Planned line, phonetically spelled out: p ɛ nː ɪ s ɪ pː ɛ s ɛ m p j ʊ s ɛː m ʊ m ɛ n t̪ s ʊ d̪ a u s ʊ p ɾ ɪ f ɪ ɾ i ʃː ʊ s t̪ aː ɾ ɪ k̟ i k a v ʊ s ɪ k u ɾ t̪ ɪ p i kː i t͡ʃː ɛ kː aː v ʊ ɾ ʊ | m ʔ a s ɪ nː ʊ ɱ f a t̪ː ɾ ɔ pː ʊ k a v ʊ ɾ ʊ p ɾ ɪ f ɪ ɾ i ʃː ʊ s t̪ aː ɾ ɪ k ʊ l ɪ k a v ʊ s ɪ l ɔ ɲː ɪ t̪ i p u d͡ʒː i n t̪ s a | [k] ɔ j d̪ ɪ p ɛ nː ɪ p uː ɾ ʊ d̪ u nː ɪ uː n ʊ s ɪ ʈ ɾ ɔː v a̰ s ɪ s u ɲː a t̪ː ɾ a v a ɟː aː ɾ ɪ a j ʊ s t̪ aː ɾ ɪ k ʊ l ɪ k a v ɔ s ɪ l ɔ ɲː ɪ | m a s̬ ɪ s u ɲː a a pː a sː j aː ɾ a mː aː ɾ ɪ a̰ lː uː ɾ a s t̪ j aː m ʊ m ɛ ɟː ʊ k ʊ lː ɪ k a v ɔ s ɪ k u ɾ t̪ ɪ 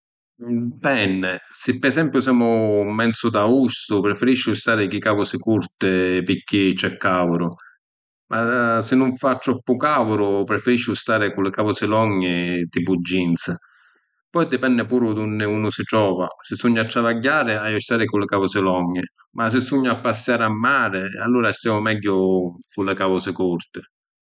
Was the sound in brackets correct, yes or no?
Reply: no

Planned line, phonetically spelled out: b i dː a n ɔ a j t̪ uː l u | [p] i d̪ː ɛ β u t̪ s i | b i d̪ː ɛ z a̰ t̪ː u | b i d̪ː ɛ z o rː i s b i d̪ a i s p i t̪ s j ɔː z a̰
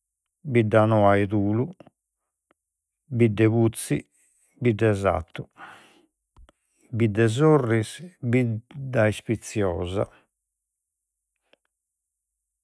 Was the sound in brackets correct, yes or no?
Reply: no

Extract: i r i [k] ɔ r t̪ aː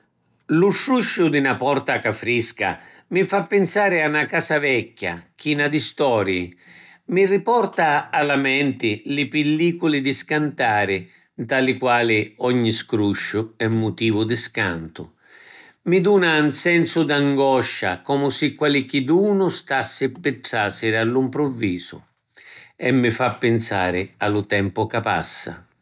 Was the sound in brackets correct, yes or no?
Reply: no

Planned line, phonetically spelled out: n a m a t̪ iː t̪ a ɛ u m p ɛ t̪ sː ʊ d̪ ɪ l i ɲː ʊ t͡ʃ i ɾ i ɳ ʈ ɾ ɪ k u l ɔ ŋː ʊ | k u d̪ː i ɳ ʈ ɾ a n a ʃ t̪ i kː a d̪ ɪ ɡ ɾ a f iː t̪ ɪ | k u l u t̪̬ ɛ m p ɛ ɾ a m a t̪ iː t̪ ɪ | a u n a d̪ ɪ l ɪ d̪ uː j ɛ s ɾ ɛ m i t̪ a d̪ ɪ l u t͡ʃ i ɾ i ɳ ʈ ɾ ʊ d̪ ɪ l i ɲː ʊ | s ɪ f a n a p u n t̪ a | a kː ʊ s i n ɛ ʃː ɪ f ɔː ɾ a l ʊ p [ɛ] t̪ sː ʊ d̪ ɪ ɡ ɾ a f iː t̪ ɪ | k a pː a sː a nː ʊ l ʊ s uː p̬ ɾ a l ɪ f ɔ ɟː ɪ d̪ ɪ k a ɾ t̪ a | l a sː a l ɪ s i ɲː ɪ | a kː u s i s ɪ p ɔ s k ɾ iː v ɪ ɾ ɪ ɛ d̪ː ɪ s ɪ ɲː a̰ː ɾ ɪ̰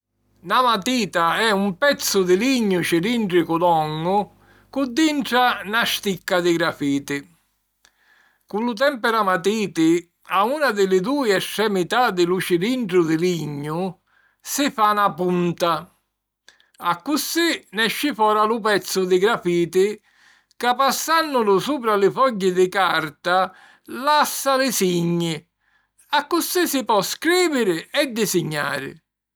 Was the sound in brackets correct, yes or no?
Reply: yes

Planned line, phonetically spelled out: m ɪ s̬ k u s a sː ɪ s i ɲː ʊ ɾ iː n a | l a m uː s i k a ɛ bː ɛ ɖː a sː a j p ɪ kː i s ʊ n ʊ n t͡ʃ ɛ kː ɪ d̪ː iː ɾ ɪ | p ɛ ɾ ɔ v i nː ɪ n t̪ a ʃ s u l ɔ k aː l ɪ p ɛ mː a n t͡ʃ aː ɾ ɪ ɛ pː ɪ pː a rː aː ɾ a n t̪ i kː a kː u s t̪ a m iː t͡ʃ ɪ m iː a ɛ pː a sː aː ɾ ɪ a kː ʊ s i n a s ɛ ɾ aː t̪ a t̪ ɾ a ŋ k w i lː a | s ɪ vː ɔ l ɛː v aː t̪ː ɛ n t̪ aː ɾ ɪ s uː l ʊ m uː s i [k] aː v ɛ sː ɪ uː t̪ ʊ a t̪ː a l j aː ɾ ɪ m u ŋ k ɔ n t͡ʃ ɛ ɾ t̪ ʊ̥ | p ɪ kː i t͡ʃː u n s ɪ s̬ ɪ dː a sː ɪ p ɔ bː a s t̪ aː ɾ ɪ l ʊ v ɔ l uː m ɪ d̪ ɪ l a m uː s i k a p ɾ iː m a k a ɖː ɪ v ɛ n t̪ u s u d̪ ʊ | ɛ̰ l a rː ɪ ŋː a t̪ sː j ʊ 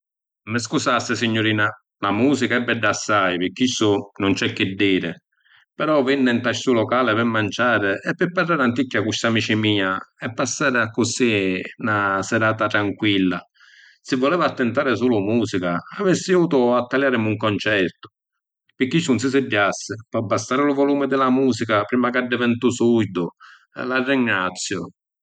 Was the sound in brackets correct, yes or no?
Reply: yes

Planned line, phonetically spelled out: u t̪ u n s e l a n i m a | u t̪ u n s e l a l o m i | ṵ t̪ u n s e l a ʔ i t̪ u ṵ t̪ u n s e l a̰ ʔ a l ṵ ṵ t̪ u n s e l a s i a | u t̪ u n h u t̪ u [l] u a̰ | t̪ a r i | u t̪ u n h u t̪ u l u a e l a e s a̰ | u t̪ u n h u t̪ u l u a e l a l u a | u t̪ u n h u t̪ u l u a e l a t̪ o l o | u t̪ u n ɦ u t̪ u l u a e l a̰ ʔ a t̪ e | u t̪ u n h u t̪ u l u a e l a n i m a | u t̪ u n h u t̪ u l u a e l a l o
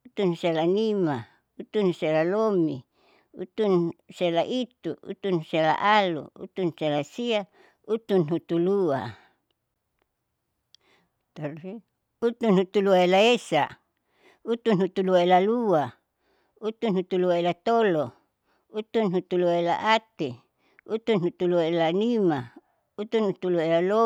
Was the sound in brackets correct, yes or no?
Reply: yes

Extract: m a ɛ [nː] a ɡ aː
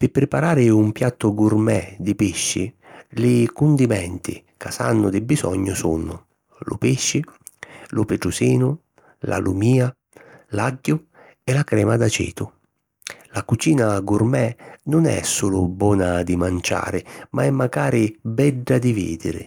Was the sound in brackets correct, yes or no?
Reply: no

